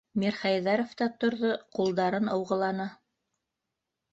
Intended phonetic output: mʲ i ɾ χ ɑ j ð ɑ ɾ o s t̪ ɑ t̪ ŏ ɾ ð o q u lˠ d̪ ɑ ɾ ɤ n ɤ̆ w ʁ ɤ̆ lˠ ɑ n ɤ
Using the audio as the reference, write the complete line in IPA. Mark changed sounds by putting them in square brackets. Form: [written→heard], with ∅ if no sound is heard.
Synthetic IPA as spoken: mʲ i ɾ χ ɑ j ð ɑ ɾ o [s→f] t̪ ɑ t̪ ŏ ɾ ð o q u lˠ d̪ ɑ ɾ ɤ n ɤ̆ w ʁ ɤ̆ lˠ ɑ n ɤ